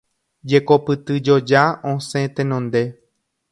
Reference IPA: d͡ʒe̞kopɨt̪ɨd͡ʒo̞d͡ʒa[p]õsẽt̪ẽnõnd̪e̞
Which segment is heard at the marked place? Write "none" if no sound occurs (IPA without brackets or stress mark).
none